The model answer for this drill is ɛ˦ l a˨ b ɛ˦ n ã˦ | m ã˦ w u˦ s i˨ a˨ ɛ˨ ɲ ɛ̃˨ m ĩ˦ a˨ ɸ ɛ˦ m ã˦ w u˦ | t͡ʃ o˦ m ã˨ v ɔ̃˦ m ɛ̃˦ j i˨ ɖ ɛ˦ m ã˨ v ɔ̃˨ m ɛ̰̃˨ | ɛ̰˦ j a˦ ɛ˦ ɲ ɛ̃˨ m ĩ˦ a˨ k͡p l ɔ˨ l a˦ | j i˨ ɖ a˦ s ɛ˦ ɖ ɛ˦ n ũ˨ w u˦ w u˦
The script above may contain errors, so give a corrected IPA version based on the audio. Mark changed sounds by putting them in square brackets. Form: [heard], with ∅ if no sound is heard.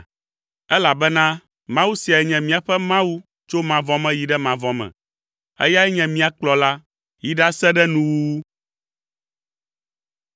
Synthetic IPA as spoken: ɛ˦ l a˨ b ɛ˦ n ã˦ | m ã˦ w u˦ s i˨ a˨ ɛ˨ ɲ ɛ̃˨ m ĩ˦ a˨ ɸ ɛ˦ m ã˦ w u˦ | t͡ʃ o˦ m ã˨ v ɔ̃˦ m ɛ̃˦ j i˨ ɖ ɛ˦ m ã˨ v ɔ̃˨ m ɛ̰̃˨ | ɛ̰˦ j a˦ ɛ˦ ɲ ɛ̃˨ m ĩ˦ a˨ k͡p l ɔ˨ l a˦ | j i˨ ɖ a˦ s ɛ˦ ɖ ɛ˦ n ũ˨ w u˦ w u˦